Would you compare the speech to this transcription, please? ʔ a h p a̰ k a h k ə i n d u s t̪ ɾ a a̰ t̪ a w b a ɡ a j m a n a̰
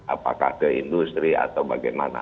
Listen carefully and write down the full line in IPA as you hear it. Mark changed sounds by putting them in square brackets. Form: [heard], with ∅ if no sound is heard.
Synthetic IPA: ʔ a [∅] p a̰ k a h k ə i n d u s t̪ ɾ [i] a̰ t̪ a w b a ɡ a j m a n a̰